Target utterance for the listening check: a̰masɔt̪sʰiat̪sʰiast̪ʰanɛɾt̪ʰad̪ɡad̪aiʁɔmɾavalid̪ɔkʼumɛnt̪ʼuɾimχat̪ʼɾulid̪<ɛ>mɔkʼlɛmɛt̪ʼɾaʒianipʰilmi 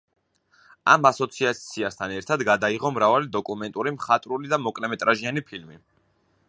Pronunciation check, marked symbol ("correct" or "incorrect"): incorrect